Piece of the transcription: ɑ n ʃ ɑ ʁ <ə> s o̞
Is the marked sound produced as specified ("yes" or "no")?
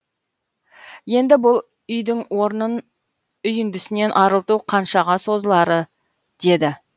no